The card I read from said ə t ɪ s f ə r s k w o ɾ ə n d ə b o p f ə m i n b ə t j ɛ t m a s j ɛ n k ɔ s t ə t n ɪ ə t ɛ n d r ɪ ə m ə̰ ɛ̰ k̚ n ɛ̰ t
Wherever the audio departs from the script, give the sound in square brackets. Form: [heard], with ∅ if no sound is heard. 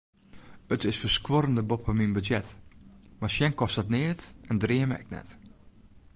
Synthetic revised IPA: ə t ɪ s f ə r s k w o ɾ ə n d ə b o p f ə m i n b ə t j ɛ t m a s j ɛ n k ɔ s t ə t n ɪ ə t ɛ n d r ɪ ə m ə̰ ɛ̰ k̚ n ɛ̰ t